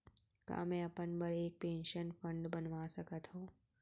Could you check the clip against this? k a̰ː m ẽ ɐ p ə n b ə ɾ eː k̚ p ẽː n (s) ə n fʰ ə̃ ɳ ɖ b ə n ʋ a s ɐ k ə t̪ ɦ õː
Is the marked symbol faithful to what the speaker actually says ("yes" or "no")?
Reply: no